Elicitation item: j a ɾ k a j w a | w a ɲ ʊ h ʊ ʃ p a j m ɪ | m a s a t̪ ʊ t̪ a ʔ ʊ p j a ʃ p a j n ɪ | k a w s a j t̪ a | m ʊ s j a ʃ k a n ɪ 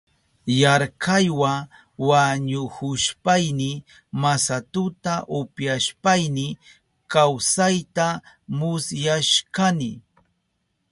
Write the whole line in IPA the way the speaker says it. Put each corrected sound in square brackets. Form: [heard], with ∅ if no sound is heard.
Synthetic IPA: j a ɾ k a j w a | w a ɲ ʊ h ʊ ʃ p a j [n] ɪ | m a s a t̪ ʊ t̪ a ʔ ʊ p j a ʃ p a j n ɪ | k a w s a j t̪ a | m ʊ s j a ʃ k a n ɪ

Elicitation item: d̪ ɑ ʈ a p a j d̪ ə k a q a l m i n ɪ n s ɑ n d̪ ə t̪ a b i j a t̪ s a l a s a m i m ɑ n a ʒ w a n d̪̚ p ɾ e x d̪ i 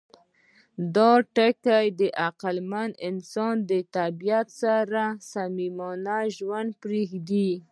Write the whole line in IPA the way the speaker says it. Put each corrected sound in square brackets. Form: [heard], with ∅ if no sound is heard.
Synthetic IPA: d̪ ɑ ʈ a [k] a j d̪ ə [ʔ] a q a l m [a] n ɪ n s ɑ n d̪ ə t̪ a b i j a t̪ s a [ɾ] a s a m i m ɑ n a ʒ w a n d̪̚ p ɾ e x d̪ i

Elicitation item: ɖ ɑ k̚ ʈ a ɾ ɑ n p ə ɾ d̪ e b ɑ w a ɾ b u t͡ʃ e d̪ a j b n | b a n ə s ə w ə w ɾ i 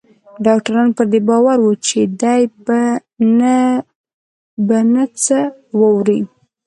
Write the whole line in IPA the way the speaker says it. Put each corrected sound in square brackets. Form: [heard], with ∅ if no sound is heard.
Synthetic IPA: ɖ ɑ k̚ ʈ a ɾ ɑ n p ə ɾ d̪ e b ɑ w a ɾ [w] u t͡ʃ e d̪ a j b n | b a n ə [t͡s] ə w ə w ɾ i

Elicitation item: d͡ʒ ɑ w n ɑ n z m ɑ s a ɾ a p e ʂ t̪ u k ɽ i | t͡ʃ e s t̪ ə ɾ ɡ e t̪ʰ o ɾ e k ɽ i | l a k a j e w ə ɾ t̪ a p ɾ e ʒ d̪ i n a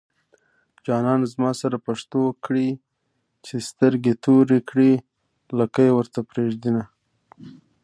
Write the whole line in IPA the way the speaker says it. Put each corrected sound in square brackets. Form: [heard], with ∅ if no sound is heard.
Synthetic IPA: d͡ʒ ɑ [∅] n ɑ n z m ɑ s a ɾ a p [a] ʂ t̪ [o] k ɽ i | t͡ʃ e s t̪ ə ɾ ɡ e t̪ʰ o ɾ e k ɽ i | l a k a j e w ə ɾ t̪ a p ɾ e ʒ d̪ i n a

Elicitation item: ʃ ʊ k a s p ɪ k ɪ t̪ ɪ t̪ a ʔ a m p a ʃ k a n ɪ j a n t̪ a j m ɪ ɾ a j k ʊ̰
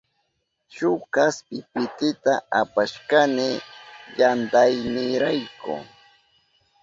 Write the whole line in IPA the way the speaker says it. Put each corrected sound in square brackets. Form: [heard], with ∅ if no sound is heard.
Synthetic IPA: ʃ ʊ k a s p ɪ [p] ɪ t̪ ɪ t̪ a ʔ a [∅] p a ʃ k a n ɪ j a n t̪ a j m ɪ ɾ a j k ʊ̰

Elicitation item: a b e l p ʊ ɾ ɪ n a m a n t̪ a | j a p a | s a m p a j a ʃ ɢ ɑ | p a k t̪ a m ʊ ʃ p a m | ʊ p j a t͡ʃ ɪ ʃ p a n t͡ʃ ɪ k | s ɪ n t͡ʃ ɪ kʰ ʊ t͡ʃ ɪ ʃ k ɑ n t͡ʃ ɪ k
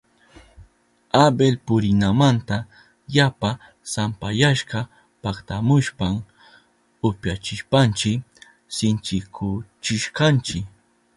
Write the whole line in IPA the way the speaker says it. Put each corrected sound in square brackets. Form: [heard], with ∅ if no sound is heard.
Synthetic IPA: a b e l p ʊ ɾ ɪ n a m a n t̪ a | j a p a | s a m p a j a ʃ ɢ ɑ | p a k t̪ a m ʊ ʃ p a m | ʊ p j a t͡ʃ ɪ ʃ p a n t͡ʃ ɪ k | s ɪ n t͡ʃ ɪ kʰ ʊ t͡ʃ ɪ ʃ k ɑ n t͡ʃ ɪ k

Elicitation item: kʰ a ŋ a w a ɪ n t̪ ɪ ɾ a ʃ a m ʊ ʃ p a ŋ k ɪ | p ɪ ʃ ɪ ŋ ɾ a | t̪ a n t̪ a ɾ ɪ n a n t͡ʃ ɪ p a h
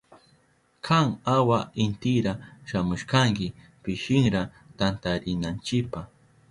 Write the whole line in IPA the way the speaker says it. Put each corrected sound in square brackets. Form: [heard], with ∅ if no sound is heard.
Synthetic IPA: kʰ a ŋ a w a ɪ n t̪ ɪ ɾ a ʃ a m ʊ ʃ [k] a ŋ k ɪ | p ɪ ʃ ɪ ŋ ɾ a | t̪ a n t̪ a ɾ ɪ n a n t͡ʃ ɪ p a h

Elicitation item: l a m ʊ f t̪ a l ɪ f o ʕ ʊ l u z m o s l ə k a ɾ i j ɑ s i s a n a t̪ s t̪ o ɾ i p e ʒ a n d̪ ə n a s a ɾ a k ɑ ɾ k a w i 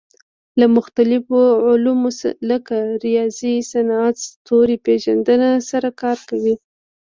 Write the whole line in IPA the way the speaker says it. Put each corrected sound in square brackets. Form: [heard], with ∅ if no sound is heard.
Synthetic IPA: l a m ʊ [x] t̪ a l ɪ f o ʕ ʊ l u [∅] m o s l ə k a ɾ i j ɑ [z] i s a n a t̪ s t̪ o ɾ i p e ʒ a n d̪ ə n a s a ɾ a k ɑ ɾ k a w i

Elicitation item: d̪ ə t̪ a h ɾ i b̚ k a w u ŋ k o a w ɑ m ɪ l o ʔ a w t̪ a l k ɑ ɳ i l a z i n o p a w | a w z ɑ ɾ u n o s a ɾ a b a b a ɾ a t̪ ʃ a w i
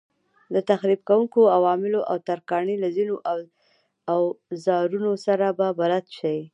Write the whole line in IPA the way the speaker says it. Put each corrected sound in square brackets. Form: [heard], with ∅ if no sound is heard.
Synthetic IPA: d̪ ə t̪ a [x] ɾ i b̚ k a w u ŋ k o a w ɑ m ɪ l o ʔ a w t̪ a [ɾ] k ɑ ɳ i l a z i n o [ʔ] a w | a w z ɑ ɾ u n o s a ɾ a b a b a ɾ a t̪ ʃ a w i

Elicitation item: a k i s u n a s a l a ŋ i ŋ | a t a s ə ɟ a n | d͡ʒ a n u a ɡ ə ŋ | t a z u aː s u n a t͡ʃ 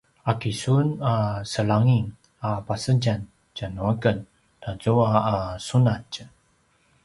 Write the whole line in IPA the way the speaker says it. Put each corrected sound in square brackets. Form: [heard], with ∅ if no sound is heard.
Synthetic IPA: a k i s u n a s [ə] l a ŋ i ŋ | a [p] a s ə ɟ a n | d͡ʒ a n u a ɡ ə [n] | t a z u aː s u n a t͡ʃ

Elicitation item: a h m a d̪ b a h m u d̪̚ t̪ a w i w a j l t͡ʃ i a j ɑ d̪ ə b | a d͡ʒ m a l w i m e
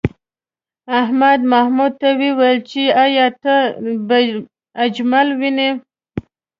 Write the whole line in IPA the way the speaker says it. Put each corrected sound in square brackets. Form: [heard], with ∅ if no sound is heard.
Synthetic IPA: a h m a d̪ [m] a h m u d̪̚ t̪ a w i w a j l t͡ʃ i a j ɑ [t̪] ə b | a d͡ʒ m a l w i [n] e

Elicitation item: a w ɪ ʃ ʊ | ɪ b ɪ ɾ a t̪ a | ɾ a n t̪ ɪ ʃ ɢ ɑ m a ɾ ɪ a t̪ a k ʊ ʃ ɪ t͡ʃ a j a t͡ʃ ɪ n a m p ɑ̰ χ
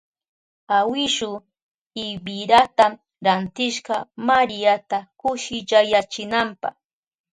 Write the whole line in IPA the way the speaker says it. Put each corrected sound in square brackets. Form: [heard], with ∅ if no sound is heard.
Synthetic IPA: a w ɪ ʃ ʊ | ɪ b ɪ ɾ a t̪ a | ɾ a n t̪ ɪ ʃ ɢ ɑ m a ɾ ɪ a t̪ a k ʊ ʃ ɪ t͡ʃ a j a t͡ʃ ɪ n a m p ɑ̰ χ

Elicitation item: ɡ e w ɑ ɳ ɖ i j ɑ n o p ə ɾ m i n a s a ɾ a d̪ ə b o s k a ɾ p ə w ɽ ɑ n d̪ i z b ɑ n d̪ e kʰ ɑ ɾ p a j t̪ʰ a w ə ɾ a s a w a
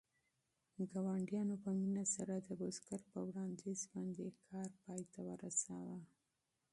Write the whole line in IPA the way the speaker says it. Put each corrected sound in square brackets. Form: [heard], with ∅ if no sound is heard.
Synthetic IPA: ɡ [a] w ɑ ɳ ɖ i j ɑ n o p ə [∅] m i n a s a ɾ a d̪ ə b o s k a ɾ p ə w ɽ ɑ n d̪ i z b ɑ n d̪ e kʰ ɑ ɾ p [ɑ] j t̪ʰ a w ə ɾ a s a w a

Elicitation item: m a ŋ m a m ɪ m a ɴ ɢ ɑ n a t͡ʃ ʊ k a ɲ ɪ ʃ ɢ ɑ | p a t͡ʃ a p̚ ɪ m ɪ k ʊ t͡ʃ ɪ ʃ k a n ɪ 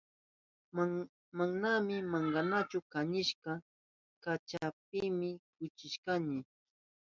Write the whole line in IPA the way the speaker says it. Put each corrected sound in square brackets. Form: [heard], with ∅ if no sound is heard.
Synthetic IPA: m a ŋ [n] a m ɪ m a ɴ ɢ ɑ n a t͡ʃ ʊ k a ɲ ɪ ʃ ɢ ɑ | [k] a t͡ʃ a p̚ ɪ m ɪ k ʊ t͡ʃ ɪ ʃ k a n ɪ

